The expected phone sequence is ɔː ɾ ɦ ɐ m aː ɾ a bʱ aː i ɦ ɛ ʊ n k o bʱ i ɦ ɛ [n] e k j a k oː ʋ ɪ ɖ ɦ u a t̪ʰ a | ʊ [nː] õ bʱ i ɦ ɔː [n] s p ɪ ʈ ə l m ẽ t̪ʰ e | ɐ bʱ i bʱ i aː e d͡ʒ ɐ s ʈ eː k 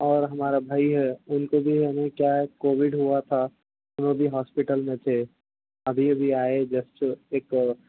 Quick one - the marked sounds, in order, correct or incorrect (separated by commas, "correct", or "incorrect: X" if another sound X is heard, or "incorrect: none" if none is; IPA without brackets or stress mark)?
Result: correct, incorrect: n, incorrect: none